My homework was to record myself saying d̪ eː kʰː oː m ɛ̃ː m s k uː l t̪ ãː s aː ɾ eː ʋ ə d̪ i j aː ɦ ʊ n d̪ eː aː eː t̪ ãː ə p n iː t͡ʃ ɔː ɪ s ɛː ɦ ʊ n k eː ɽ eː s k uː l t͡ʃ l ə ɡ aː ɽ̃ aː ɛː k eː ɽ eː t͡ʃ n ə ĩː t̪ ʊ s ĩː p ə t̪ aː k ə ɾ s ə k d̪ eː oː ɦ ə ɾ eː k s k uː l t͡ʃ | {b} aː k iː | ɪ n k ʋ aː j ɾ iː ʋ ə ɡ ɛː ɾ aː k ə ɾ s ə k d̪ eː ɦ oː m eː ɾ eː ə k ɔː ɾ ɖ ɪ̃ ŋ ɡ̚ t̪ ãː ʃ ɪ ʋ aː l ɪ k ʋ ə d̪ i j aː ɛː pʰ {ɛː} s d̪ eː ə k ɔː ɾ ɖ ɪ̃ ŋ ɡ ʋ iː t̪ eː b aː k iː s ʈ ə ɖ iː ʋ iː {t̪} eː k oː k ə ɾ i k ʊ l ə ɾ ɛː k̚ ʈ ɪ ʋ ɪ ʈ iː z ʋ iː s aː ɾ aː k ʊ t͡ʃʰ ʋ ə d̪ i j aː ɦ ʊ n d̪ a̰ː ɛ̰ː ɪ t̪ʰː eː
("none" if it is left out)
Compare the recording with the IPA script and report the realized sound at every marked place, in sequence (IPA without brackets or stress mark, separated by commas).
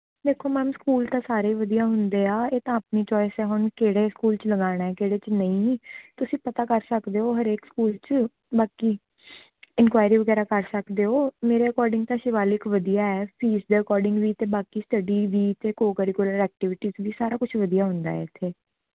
b, iː, t̪